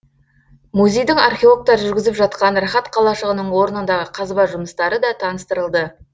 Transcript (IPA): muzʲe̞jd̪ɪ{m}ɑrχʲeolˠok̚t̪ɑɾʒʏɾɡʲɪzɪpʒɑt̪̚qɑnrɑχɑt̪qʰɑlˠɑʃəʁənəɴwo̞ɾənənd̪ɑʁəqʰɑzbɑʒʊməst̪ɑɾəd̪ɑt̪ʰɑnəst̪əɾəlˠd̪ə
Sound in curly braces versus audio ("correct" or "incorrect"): incorrect